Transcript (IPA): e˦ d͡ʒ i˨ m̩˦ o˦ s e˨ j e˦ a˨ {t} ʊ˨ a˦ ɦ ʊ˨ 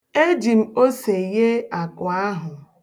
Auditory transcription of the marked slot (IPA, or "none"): k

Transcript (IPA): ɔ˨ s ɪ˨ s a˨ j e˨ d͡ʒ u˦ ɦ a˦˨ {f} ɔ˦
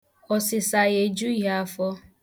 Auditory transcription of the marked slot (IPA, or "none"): f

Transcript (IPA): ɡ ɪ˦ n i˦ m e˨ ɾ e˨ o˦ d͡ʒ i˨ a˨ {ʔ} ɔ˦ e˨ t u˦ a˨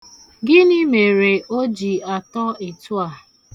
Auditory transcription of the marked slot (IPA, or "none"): t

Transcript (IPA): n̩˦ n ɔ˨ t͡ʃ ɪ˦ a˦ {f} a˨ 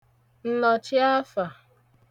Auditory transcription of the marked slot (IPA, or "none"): f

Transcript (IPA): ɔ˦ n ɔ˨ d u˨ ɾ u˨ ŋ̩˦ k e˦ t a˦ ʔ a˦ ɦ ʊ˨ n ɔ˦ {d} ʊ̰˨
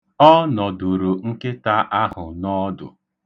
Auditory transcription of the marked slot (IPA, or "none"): d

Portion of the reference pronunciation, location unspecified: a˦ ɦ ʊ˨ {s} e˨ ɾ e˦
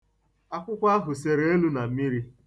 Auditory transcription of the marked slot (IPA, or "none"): s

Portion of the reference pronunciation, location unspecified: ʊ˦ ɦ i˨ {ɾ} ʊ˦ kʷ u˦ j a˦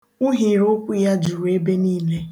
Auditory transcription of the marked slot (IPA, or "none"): ɾ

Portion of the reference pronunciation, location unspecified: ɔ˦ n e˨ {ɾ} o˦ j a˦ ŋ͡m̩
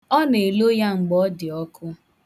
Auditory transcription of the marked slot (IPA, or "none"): l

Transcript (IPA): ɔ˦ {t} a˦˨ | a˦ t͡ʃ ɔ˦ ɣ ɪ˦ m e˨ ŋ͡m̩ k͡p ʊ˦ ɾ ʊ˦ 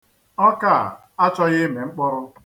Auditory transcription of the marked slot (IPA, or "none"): k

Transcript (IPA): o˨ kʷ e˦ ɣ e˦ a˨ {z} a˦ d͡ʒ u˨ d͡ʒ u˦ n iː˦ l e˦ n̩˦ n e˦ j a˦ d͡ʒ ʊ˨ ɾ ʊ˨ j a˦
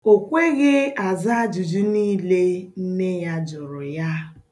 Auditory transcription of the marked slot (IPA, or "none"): z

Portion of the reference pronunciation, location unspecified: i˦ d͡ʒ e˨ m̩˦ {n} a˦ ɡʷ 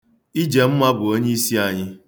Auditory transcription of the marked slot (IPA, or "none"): m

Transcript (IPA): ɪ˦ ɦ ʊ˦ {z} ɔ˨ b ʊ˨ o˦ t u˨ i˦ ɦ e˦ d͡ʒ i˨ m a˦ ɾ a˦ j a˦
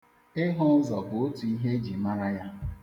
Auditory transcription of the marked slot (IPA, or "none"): z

